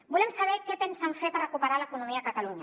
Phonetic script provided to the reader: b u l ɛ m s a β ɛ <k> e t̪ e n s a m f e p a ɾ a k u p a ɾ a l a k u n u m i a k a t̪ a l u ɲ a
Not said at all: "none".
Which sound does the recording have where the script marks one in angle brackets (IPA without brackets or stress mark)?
k